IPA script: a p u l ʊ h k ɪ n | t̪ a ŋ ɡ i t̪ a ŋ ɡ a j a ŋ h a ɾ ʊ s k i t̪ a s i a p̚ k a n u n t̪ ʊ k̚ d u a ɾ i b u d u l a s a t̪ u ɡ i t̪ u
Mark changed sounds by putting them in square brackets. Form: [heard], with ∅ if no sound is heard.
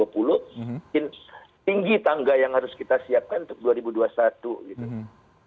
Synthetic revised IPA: a p u l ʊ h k ɪ n | t̪ [i] ŋ ɡ i t̪ a ŋ ɡ a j a ŋ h a ɾ ʊ s k i t̪ a s i a p̚ k a n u n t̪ ʊ k̚ d u a ɾ i b u d u [∅] a s a t̪ u ɡ i t̪ u